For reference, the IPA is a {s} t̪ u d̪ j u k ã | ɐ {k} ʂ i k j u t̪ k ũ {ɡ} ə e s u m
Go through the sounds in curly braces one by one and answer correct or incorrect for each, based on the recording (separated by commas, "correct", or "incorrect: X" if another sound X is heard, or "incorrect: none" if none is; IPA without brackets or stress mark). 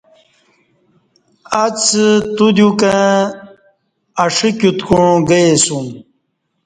incorrect: t͡s, incorrect: none, correct